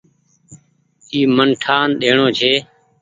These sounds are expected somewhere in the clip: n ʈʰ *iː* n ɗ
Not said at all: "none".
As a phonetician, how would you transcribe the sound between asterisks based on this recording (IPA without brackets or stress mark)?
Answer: aː